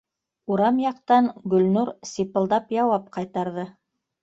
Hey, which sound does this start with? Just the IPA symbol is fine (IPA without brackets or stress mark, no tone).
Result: u